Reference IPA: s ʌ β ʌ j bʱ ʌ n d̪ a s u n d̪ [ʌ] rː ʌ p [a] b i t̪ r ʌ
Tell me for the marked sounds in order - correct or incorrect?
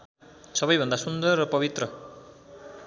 correct, incorrect

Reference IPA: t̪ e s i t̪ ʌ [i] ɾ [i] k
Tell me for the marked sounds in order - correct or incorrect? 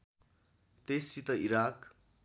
correct, incorrect

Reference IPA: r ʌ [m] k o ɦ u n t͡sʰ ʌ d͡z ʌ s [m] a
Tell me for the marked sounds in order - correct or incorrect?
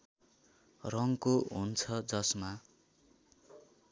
incorrect, correct

